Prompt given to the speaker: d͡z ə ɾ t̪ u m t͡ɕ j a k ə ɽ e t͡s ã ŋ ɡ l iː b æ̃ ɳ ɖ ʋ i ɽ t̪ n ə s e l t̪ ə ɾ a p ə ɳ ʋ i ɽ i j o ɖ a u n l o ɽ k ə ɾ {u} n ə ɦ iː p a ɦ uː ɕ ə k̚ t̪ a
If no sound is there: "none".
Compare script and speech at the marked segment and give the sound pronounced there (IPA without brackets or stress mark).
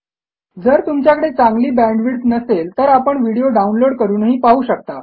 uː